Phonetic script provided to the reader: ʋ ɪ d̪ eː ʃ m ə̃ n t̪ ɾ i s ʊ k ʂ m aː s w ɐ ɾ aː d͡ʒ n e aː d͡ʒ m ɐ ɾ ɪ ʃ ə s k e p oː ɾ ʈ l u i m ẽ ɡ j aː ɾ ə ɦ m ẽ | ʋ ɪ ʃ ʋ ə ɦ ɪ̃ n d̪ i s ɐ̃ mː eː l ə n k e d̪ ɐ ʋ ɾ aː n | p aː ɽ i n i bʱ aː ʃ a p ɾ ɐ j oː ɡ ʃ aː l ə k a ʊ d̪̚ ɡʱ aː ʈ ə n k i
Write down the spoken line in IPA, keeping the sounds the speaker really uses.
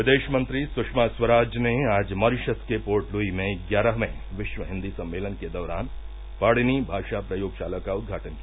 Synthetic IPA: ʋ ɪ d̪ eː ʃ m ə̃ n t̪ ɾ i s ʊ k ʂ m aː s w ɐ ɾ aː d͡ʒ n e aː d͡ʒ m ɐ ɾ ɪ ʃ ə s k e p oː ɾ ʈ l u i m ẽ ɡ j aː ɾ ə ɦ m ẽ | ʋ ɪ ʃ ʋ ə ɦ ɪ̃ n d̪ i s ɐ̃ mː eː l ə n k e d̪ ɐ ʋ ɾ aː n | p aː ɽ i n i bʱ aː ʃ a p ɾ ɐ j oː ɡ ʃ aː l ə k a ʊ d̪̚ ɡʱ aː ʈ ə n k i